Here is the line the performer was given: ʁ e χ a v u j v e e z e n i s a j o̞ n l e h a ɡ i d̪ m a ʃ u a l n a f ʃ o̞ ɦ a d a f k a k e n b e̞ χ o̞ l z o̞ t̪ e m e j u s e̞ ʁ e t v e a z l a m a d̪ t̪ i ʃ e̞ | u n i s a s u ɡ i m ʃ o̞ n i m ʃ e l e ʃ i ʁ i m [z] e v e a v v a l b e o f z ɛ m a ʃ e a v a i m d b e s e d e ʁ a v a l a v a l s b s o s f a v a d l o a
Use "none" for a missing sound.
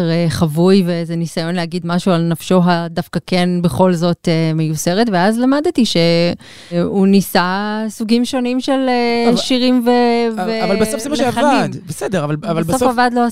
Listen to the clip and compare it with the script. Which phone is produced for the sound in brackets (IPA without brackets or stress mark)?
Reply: v